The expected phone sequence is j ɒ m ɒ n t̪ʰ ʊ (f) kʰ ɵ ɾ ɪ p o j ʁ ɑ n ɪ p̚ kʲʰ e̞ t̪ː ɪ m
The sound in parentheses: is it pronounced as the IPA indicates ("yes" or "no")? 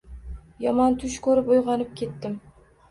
no